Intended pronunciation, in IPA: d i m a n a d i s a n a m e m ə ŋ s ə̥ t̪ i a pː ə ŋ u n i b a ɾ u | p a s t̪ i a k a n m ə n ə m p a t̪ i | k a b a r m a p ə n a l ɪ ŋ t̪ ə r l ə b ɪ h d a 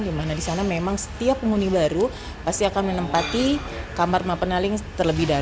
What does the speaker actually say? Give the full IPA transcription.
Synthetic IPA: d i m a n a d i s a n a m e m a ŋ s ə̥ t̪ i a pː ə ŋ u n i b a ɾ u | p a s t̪ i a k a n m ə n ə m p a t̪ i | k a m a r m a p ə n a l ɪ ŋ t̪ ə r l ə b ɪ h d a